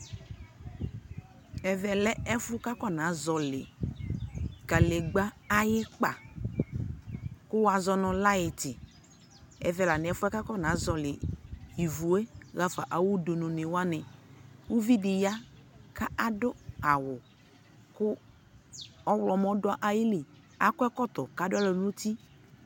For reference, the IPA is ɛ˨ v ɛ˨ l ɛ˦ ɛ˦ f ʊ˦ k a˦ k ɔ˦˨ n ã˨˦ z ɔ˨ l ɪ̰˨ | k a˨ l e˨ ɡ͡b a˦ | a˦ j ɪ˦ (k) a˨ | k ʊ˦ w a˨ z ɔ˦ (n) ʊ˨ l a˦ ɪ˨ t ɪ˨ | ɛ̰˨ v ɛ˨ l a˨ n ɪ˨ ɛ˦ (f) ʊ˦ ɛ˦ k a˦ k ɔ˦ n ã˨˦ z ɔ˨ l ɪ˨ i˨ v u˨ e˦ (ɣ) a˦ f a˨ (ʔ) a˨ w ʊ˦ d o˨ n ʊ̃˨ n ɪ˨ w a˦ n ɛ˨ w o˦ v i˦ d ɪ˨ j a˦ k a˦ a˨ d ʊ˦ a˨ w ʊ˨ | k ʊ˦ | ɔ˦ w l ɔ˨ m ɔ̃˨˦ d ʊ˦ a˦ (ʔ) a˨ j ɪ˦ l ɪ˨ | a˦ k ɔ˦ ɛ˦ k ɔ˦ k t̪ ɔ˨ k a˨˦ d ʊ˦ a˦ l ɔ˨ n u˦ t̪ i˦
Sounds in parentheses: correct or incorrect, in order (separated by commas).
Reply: incorrect, correct, correct, correct, correct, correct